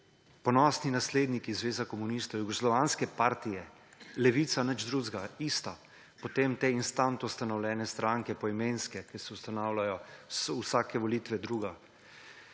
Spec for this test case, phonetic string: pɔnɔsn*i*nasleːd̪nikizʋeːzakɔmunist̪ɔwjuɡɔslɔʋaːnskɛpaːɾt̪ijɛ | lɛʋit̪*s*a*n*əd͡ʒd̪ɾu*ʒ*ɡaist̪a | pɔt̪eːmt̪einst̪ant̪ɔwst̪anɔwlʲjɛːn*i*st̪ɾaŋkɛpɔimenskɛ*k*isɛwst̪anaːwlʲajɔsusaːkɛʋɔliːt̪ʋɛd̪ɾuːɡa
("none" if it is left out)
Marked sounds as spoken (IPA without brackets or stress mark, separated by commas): i, s, n, z, ɛ, k